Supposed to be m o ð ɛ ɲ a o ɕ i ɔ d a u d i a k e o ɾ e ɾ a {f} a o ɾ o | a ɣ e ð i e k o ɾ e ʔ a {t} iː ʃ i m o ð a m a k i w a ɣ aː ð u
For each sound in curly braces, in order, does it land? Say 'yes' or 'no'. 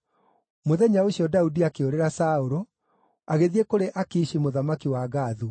no, no

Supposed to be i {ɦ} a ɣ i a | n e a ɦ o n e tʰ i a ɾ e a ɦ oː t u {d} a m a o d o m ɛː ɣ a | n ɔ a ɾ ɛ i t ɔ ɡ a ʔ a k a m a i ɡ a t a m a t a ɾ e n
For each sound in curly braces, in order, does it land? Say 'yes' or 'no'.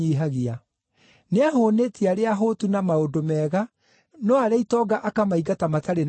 yes, no

